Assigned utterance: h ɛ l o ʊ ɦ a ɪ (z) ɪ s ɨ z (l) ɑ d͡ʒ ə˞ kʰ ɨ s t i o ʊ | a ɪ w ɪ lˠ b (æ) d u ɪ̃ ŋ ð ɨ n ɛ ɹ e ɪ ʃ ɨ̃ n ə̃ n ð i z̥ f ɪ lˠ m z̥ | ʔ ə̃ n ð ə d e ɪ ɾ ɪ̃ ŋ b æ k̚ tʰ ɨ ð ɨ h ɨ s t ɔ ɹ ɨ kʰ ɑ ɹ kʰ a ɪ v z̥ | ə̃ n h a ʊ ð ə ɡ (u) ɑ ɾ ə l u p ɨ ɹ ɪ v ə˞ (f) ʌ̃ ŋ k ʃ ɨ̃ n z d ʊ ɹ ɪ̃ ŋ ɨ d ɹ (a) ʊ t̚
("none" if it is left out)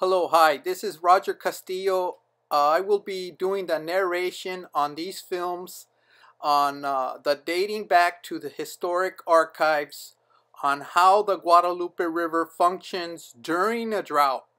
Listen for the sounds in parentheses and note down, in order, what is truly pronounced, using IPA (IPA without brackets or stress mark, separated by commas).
ð, ɹ, i, w, f, a